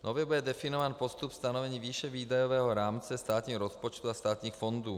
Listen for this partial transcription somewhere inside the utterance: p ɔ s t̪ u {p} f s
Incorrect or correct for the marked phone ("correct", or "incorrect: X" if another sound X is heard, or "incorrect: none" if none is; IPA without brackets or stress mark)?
correct